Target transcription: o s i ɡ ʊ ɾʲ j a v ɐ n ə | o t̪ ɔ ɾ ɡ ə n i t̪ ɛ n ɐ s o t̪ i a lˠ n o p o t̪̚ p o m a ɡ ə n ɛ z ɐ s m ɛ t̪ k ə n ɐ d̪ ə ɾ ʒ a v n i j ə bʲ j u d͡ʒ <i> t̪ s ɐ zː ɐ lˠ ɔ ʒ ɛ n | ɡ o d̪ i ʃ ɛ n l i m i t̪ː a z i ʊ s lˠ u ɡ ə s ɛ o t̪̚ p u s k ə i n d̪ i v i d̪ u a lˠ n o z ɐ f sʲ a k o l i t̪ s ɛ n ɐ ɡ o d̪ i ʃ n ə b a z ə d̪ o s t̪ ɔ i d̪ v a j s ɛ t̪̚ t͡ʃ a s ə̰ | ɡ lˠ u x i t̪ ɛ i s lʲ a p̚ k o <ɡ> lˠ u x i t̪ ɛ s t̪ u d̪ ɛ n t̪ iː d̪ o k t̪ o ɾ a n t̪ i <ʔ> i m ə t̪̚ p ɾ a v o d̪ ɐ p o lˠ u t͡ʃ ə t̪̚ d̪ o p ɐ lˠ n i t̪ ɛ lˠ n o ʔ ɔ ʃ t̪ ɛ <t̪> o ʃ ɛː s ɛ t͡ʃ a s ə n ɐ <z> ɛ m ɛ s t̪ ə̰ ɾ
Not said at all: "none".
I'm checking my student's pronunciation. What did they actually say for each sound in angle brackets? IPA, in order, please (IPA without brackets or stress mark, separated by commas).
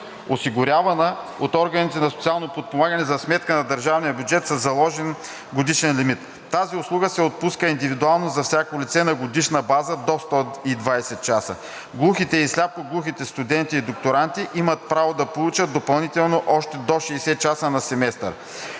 ɛ, ɡ, ʔ, d̪, s